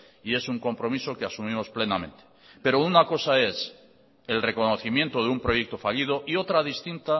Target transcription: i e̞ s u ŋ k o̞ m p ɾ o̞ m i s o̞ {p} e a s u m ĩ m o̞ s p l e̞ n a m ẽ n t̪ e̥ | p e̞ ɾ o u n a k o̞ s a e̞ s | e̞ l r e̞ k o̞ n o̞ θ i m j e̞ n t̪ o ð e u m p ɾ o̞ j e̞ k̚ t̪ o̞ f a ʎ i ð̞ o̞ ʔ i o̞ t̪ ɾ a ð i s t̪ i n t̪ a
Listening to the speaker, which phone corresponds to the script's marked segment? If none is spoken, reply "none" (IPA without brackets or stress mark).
k